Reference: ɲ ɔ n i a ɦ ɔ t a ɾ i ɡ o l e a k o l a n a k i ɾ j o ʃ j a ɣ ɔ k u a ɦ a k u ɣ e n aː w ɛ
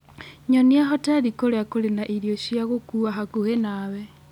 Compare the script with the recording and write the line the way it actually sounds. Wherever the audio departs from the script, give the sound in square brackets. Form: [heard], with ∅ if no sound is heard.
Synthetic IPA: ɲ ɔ n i a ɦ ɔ t a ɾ i [k] o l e a k o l [e] n a [ʔ] i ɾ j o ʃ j a ɣ [o] k u a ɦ a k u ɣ e n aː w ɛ